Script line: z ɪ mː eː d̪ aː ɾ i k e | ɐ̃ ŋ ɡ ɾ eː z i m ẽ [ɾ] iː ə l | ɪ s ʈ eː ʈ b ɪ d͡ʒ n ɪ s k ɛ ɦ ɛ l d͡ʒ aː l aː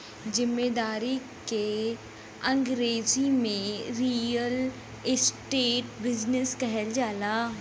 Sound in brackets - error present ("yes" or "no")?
no